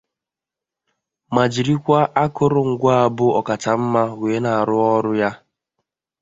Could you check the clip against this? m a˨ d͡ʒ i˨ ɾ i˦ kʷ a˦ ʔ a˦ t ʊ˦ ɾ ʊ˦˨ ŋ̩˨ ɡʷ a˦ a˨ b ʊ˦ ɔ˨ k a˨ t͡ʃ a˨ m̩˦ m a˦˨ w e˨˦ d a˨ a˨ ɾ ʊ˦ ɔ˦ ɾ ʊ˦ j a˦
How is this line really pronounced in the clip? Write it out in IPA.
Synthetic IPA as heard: m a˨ d͡ʒ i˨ ɾ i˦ kʷ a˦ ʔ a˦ k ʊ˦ ɾ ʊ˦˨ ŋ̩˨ ɡʷ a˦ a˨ b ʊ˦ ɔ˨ k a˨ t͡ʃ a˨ m̩˦ m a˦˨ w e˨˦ n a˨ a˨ ɾ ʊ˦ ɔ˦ ɾ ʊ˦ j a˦